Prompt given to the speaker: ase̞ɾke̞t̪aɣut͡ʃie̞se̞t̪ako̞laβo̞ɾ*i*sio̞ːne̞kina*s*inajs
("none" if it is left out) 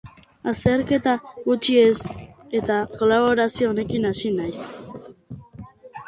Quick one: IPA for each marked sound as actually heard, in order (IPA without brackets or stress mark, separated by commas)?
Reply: a, s